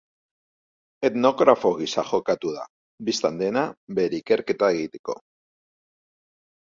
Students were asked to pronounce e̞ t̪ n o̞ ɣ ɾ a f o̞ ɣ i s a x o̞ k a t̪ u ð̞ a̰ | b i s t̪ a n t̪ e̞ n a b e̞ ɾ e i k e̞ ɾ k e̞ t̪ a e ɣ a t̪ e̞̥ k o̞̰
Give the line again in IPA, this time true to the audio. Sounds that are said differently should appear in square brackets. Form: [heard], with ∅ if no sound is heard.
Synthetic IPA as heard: e̞ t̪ n o̞ ɣ ɾ a f o̞ ɣ i s a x o̞ k a t̪ u ð̞ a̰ | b i s t̪ a n [d̪] e̞ n a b e̞ ɾ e i k e̞ ɾ k e̞ t̪ a e ɣ [i] t̪ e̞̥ k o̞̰